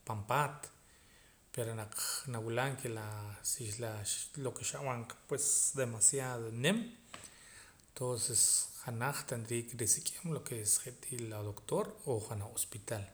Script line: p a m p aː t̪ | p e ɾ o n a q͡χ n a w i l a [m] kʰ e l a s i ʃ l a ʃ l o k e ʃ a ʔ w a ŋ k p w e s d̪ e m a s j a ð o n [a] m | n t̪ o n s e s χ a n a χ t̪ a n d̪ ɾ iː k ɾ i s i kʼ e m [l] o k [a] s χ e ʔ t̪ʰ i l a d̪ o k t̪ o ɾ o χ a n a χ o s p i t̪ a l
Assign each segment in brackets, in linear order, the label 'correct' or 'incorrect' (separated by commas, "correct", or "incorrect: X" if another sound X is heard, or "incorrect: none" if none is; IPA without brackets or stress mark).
incorrect: ŋ, incorrect: e, correct, incorrect: e